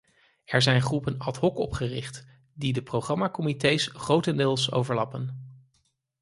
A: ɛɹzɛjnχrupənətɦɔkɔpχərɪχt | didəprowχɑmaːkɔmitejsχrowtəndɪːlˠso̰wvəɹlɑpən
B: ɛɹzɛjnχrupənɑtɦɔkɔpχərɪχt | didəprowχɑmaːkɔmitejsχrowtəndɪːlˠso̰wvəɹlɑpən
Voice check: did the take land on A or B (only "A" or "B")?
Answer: B